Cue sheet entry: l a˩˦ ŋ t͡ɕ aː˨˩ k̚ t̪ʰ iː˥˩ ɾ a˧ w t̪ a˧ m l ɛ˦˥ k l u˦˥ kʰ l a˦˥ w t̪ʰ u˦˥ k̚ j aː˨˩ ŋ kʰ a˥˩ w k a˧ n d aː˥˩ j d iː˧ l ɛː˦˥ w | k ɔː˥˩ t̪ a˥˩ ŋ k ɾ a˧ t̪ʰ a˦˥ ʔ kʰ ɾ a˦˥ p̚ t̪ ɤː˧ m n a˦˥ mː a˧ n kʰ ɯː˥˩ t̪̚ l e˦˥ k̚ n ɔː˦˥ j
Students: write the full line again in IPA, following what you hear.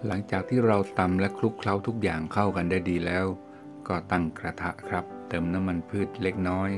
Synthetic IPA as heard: l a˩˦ ŋ t͡ɕ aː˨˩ k̚ t̪ʰ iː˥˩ ɾ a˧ w t̪ a˧ m l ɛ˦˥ kʰ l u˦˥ kʰ l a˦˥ w t̪ʰ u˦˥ k̚ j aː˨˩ ŋ kʰ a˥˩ w k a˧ n d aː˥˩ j d iː˧ l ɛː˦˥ w | k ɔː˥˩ t̪ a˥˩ ŋ k ɾ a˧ t̪ʰ a˦˥ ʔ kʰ ɾ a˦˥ p̚ t̪ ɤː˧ m n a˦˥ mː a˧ n pʰ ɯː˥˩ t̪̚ l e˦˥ k̚ n ɔː˦˥ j